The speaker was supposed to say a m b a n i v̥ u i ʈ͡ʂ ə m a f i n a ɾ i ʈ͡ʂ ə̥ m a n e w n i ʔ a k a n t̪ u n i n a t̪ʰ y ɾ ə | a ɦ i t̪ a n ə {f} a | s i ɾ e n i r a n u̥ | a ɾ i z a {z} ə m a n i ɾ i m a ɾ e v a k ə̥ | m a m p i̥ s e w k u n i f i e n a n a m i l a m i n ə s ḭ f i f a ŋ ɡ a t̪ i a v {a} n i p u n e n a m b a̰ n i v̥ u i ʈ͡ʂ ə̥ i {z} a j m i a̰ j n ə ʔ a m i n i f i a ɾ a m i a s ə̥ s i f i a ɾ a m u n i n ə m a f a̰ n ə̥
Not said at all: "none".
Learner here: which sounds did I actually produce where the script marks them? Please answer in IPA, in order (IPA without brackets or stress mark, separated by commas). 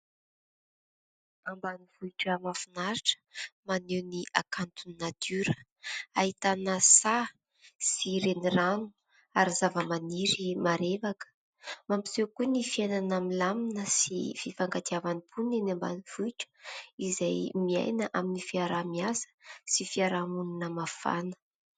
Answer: s, v, a, z